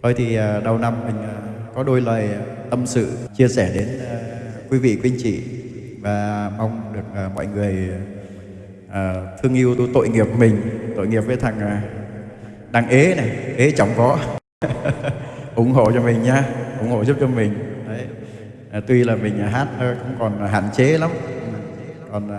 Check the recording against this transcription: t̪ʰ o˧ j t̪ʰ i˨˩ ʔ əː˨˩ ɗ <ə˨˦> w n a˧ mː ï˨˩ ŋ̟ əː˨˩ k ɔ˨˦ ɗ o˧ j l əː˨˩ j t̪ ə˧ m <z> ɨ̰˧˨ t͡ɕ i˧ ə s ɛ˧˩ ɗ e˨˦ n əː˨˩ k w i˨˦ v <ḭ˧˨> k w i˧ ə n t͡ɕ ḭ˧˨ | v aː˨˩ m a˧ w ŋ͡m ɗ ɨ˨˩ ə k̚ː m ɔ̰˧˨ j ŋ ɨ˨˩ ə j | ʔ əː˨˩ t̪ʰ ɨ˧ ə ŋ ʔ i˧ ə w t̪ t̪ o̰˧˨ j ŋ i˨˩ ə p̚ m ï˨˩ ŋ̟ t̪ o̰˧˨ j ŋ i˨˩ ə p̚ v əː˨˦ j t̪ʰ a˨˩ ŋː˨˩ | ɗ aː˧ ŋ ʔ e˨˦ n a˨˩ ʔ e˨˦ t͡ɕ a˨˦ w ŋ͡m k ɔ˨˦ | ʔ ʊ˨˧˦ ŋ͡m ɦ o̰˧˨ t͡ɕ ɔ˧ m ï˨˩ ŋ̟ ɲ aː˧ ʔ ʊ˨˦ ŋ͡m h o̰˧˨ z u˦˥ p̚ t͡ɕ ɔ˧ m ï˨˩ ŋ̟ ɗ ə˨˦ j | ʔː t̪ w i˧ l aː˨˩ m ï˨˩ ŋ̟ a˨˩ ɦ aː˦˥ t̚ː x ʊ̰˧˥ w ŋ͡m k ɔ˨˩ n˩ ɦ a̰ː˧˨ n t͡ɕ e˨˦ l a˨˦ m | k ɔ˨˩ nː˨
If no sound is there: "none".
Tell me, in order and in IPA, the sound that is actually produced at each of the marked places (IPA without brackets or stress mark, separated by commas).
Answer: ə˨˩, s, ḭ˧˨